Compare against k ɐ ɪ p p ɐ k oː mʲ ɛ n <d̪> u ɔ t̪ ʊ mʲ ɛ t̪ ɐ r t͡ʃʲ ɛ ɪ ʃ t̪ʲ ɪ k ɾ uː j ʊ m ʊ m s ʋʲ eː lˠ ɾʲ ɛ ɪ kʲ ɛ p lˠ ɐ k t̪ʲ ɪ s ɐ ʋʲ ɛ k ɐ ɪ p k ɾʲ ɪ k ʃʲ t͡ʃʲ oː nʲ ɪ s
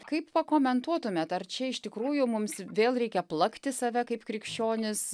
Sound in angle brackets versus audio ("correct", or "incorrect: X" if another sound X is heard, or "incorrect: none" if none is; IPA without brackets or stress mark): incorrect: t̪